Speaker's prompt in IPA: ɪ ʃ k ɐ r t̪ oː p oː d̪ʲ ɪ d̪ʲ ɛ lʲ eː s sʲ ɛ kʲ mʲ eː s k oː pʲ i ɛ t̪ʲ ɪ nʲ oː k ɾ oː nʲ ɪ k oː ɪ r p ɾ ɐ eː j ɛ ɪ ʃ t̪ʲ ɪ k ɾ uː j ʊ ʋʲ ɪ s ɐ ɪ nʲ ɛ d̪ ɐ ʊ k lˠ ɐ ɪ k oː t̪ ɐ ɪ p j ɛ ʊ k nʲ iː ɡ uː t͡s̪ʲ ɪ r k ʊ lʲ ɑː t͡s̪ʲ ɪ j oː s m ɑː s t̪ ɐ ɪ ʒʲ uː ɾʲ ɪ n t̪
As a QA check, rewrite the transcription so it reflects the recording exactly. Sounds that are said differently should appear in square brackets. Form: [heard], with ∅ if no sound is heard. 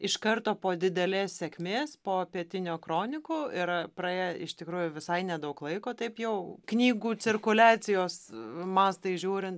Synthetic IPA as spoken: ɪ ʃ k ɐ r t̪ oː p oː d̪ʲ ɪ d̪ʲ ɛ lʲ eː s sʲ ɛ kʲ mʲ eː s [p] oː pʲ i ɛ t̪ʲ ɪ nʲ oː k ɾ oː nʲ ɪ k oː ɪ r p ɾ ɐ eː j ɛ ɪ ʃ t̪ʲ ɪ k ɾ uː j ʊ ʋʲ ɪ s ɐ ɪ nʲ ɛ d̪ ɐ ʊ k lˠ ɐ ɪ k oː t̪ ɐ ɪ p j ɛ ʊ k nʲ iː ɡ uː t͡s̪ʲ ɪ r k ʊ lʲ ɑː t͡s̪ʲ ɪ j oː s m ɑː s t̪ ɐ ɪ ʒʲ uː ɾʲ ɪ n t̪